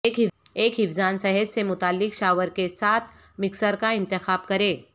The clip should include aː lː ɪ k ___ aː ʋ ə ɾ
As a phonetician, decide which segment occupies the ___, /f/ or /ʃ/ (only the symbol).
ʃ